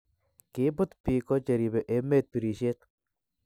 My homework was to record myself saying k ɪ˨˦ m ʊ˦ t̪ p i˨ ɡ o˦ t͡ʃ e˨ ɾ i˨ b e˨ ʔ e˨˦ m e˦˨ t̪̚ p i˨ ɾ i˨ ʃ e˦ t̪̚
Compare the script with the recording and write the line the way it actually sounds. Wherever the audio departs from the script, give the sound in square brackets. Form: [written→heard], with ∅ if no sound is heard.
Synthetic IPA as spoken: k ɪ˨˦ [m→b] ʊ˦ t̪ p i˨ [ɡ→k] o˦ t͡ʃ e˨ ɾ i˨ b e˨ ʔ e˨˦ m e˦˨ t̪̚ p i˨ ɾ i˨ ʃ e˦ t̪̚